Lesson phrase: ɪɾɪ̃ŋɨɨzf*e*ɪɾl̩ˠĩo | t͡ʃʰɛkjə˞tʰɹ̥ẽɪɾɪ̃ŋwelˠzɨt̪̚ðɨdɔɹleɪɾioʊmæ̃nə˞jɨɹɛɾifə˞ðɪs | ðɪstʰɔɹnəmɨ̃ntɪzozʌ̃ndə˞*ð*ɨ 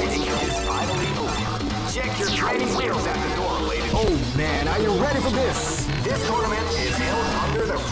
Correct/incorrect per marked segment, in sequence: incorrect, correct

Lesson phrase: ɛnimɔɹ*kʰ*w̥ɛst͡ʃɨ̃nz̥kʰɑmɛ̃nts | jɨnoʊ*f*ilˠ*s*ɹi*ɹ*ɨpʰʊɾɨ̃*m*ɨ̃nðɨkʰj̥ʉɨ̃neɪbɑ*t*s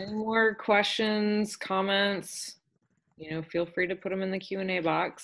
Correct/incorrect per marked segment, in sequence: correct, correct, incorrect, incorrect, correct, incorrect

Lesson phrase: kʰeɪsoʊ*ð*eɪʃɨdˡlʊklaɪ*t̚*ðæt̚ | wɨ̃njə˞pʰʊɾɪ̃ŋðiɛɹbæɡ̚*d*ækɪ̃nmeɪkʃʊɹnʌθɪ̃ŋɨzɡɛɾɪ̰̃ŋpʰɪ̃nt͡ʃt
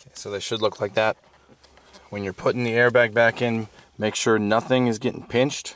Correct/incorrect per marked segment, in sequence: correct, incorrect, incorrect

